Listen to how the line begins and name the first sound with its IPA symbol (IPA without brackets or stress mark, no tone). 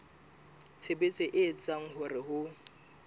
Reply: t͡sʰ